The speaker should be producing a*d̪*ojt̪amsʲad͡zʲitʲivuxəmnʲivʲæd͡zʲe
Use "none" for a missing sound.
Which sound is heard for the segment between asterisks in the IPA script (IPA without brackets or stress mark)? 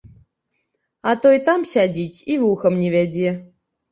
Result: t̪